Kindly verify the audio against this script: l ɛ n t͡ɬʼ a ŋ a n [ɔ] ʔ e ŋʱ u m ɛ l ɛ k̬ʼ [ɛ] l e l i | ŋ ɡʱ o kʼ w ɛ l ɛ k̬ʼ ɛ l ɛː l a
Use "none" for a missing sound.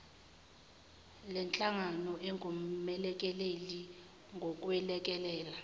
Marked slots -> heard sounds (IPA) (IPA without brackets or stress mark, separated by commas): ɔ, ɛ